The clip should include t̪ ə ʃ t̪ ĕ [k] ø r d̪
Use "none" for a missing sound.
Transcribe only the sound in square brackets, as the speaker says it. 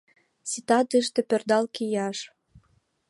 p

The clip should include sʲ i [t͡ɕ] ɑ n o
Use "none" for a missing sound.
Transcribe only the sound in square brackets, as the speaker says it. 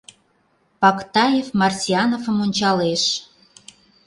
none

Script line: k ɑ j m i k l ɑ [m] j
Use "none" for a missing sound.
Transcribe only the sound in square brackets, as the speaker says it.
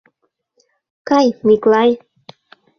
none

